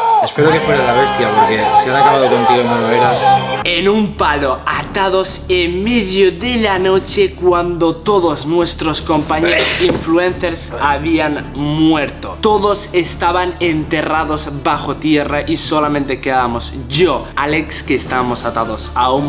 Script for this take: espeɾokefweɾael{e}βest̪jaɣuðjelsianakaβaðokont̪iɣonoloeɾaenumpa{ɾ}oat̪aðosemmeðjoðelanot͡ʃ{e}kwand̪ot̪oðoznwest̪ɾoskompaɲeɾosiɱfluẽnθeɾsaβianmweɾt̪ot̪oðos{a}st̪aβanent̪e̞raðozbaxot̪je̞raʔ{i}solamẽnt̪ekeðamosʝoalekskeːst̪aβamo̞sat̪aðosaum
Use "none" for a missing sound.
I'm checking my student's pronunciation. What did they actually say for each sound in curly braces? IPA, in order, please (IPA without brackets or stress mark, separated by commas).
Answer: a, l, e, e, i